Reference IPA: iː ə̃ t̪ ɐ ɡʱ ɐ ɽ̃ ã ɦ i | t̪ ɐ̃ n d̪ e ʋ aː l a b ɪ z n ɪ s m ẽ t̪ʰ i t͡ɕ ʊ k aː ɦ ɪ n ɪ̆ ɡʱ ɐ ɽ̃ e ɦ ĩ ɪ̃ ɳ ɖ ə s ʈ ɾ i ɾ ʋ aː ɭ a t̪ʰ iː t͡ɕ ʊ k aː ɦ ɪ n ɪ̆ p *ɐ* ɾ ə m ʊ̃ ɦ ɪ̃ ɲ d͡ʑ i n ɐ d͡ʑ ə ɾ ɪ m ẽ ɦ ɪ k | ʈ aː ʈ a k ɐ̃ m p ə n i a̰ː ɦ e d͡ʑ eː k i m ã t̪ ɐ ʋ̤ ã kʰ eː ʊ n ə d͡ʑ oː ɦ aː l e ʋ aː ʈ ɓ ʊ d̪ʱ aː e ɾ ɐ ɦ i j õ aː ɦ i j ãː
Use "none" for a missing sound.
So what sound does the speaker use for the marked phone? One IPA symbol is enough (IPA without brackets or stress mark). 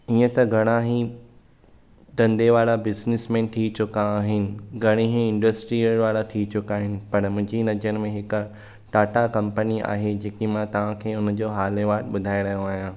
ɐ